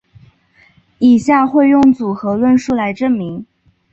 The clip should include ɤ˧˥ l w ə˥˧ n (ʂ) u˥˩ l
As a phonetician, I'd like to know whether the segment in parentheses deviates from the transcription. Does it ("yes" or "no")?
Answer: no